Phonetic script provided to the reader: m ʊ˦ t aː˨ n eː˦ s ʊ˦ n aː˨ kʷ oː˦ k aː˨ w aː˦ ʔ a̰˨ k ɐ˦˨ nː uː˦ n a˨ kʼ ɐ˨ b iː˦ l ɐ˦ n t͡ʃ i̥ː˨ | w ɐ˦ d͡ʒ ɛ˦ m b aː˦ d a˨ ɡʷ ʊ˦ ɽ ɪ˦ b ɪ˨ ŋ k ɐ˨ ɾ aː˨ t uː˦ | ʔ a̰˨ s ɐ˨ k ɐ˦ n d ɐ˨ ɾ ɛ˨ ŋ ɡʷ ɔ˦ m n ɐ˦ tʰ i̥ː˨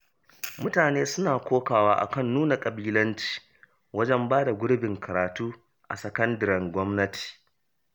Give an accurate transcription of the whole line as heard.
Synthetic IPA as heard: m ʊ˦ t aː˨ n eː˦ s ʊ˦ n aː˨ kʷ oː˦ k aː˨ w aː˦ ʔ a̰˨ k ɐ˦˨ nː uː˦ n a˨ kʼ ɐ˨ b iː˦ l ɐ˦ n t͡ʃ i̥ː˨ | w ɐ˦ d͡ʒ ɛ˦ m b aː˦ d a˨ ɡʷ ʊ˦ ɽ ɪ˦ b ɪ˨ ŋ k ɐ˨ ɾ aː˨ t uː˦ | ʔ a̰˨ s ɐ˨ k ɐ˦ n d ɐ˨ ɾ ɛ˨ ŋ ɡʷ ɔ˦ m n ɐ˦ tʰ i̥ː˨